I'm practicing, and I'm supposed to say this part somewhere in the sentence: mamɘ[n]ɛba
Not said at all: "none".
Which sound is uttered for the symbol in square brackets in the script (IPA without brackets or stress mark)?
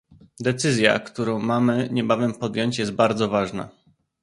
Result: ɲ